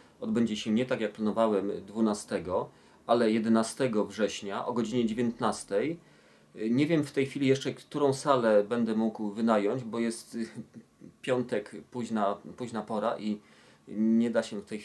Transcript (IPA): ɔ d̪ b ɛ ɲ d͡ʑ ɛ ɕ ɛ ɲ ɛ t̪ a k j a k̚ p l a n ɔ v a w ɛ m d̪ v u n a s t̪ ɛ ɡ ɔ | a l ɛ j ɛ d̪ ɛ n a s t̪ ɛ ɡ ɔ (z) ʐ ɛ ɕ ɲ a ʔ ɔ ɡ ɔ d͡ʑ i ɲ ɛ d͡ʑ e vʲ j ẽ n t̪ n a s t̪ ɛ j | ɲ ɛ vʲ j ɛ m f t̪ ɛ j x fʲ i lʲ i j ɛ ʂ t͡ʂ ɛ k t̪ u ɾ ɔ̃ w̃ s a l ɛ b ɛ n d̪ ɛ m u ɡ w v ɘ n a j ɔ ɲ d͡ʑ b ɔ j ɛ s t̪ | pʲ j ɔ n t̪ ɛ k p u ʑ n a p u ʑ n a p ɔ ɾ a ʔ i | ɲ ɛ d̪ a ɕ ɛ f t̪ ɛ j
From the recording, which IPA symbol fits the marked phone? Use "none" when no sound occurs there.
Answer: v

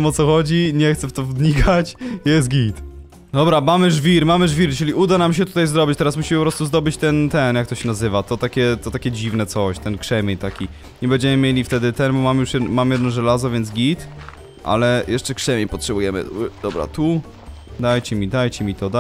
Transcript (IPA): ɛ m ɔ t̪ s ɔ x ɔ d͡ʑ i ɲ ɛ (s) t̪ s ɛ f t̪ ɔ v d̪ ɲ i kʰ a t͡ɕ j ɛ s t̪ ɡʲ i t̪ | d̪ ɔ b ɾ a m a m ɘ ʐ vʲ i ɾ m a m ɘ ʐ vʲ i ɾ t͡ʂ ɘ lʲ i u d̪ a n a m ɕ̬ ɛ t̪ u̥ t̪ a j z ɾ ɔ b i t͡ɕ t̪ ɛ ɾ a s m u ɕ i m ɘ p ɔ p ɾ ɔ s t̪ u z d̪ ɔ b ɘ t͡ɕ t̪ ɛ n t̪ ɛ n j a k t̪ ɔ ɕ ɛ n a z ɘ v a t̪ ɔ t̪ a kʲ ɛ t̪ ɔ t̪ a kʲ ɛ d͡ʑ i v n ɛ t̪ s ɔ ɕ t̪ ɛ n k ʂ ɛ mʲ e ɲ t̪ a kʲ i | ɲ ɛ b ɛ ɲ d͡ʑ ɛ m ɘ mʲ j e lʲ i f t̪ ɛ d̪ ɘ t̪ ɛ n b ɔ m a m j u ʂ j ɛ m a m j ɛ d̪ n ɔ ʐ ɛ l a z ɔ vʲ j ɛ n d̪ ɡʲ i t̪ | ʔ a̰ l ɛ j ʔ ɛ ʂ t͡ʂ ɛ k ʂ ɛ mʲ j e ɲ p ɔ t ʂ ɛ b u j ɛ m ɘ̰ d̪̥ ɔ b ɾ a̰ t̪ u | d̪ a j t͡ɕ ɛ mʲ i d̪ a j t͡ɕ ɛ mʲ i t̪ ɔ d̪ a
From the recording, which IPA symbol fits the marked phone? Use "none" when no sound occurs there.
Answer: x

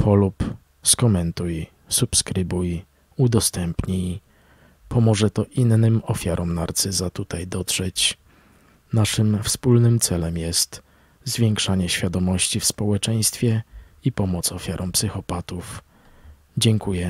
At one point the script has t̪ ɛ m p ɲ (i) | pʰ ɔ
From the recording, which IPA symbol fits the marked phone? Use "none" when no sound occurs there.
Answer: i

